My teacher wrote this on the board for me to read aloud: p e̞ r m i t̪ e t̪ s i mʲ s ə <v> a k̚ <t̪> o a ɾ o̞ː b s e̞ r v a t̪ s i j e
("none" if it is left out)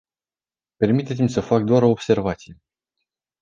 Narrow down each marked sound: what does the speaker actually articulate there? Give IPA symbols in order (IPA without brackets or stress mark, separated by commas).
f, d̪